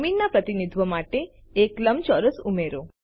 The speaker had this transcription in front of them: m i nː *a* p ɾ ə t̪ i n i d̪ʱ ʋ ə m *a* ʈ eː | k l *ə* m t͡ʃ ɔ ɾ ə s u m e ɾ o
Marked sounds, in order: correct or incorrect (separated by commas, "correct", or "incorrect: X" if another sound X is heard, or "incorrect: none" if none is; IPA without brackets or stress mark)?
correct, correct, correct